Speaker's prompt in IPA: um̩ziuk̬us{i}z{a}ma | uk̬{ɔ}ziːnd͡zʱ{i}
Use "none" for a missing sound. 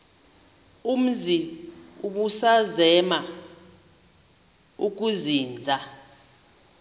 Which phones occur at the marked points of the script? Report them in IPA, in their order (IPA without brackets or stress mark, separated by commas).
a, ɛ, u, a